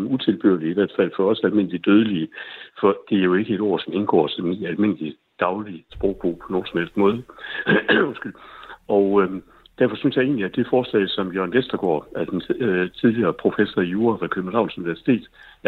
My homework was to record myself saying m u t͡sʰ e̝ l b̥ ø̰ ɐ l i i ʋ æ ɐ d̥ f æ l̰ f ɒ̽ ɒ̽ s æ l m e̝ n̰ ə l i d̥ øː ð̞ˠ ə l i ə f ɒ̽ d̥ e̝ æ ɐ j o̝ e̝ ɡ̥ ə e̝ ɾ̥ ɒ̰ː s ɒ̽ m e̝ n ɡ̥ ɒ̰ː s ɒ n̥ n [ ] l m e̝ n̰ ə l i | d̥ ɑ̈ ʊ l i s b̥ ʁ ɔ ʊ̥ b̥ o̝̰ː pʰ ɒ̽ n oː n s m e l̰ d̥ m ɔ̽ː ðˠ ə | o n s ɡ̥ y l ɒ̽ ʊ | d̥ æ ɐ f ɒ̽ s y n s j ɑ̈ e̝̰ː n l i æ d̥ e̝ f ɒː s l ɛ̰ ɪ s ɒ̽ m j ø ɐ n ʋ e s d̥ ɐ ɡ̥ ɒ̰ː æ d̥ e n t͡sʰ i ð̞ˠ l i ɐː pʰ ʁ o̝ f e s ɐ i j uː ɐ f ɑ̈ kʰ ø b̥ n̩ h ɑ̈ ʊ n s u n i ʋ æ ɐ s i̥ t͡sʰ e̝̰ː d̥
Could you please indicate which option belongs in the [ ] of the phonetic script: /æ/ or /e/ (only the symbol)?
æ